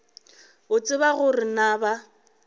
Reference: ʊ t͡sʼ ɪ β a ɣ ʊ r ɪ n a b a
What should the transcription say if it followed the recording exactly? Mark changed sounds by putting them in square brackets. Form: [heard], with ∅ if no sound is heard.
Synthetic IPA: ʊ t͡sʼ ɪ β a ɣ ʊ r ɪ n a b a